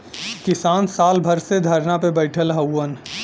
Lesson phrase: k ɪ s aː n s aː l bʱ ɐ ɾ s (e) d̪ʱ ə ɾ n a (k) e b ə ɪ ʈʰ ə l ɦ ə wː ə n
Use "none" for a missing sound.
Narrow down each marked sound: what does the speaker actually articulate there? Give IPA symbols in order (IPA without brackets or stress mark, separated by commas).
e, p